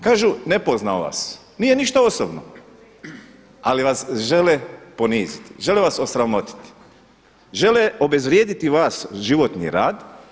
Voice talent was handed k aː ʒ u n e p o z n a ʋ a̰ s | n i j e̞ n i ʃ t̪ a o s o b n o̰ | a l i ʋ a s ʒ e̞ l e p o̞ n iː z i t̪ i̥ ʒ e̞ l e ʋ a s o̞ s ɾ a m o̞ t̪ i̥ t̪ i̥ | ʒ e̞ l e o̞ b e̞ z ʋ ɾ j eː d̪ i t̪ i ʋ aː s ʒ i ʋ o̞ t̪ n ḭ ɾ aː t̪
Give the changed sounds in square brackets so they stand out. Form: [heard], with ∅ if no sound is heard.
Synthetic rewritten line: k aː ʒ u n e p o z n a ʋ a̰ s | n i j e̞ n i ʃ t̪ a o s o b n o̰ | a l i ʋ a s ʒ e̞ l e p o̞ n iː z i t̪ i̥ ʒ e̞ l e ʋ a s o̞ s ɾ a m o̞ t̪ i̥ t̪ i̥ | ʒ e̞ l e o̞ b e̞ z ʋ ɾ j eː d̪ i t̪ i ʋ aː s ʒ i ʋ o̞ t̪ n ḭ ɾ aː [d̪]